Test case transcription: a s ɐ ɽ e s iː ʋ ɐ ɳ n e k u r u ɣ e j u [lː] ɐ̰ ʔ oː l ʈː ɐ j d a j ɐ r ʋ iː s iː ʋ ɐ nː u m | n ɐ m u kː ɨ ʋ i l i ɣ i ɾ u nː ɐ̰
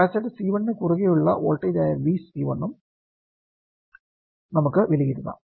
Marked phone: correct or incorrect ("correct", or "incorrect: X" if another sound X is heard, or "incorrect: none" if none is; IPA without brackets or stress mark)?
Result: incorrect: ɭː